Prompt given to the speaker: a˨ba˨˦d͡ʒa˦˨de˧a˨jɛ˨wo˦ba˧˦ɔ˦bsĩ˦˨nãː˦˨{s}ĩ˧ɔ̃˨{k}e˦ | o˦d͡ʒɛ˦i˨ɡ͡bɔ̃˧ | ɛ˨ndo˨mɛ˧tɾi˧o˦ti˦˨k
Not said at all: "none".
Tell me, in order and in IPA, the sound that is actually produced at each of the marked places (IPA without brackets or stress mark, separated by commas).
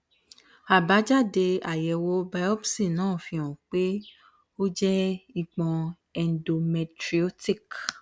f, k͡p